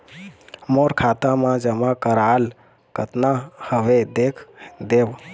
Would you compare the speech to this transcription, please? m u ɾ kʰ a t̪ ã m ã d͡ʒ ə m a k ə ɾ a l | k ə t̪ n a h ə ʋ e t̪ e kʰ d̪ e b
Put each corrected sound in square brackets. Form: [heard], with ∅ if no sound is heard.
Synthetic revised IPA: m [o] ɾ kʰ a t̪ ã m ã d͡ʒ ə m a k ə ɾ a l | k ə t̪ n a h ə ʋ e [d̪] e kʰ d̪ e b